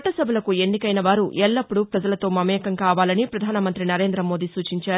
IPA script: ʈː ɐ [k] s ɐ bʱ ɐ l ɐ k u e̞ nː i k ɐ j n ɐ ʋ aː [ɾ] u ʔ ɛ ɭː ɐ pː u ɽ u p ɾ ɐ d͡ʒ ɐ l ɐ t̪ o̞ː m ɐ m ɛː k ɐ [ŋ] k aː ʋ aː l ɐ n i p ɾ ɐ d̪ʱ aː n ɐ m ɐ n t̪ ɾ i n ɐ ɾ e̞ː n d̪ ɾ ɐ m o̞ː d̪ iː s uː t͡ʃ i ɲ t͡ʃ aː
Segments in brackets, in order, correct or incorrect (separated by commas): incorrect, correct, correct